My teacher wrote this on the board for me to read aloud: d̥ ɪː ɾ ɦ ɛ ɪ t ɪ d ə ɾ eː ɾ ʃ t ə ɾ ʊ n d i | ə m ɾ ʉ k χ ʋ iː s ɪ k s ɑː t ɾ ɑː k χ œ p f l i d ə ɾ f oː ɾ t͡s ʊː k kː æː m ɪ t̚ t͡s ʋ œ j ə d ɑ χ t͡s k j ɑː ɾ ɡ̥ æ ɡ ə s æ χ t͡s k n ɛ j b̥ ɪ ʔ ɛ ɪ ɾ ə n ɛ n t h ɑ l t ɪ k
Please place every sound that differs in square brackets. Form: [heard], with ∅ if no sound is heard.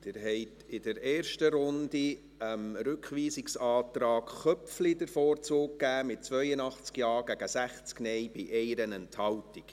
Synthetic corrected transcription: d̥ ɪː ɾ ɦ ɛ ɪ t ɪ d ə ɾ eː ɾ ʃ t ə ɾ ʊ n d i | ə m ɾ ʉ k χ ʋ iː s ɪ k s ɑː t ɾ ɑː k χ œ p f l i d ə ɾ f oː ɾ t͡s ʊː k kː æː m ɪ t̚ t͡s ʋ œ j ə [n] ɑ χ t͡s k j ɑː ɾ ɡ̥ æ ɡ ə s æ χ t͡s k n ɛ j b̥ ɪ ʔ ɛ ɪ ɾ ə n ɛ n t h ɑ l t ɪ k